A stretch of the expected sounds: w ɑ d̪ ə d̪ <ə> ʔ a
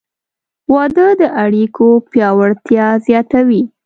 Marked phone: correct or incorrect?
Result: correct